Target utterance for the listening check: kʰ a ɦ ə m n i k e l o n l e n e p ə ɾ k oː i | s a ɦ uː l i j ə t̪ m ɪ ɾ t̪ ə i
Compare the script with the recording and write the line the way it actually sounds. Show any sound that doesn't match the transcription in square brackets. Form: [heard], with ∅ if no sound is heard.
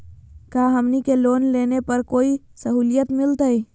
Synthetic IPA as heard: [k] a ɦ ə m n i k e l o n l e n e p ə ɾ k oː i | s [ə] ɦ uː l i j ə t̪ m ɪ [l] t̪ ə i